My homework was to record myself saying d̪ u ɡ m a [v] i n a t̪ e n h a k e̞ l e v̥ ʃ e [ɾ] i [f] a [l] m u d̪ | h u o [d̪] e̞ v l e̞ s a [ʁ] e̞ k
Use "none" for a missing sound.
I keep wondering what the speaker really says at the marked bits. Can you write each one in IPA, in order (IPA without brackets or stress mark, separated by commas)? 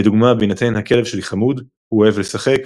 b, l, χ, none, none, χ